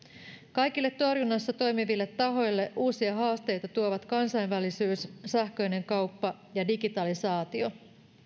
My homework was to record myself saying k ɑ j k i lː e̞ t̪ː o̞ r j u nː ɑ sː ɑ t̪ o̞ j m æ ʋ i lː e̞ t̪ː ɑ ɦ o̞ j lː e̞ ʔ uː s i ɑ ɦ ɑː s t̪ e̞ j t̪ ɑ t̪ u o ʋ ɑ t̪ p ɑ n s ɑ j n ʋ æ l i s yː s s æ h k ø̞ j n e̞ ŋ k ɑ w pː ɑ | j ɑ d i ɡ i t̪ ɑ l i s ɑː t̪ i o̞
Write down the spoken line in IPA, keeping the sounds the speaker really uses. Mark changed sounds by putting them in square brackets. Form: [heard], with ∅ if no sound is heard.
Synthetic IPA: k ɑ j k i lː e̞ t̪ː o̞ r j u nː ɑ sː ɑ t̪ o̞ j m [i] ʋ i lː e̞ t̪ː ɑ ɦ o̞ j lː e̞ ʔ uː s i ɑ ɦ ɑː s t̪ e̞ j t̪ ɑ t̪ u o ʋ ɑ t̪ [k] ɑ n s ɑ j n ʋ æ l i s yː s s æ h k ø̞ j n e̞ ŋ k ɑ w pː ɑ | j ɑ d i ɡ i t̪ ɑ l i s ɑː t̪ i o̞